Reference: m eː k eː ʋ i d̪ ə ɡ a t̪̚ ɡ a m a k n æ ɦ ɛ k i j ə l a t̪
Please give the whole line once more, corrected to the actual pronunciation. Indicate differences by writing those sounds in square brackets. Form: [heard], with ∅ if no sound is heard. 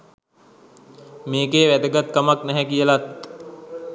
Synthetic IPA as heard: m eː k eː ʋ [æ] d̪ ə ɡ a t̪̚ [k] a m a k n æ ɦ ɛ k i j ə l a t̪